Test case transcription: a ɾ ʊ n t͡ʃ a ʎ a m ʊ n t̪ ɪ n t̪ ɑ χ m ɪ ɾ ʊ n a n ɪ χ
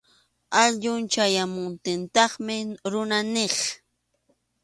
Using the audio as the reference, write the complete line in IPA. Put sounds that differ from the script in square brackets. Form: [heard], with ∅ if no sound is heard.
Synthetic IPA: a [ʎ] ʊ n t͡ʃ a [j] a m ʊ n t̪ ɪ n t̪ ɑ χ m ɪ ɾ ʊ n a n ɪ χ